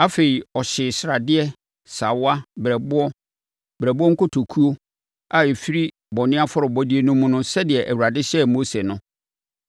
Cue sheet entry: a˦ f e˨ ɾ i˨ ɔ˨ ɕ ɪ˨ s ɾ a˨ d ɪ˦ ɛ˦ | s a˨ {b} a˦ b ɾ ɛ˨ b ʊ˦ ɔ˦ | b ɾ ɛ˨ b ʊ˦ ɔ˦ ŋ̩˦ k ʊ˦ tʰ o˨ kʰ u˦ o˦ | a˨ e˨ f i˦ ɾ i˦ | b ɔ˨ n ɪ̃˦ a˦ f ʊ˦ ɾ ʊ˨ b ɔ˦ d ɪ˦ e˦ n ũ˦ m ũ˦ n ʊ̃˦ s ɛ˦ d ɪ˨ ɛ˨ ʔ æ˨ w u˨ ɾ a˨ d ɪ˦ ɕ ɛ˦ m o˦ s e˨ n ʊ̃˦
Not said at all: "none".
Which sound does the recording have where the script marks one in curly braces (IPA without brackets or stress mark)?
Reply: w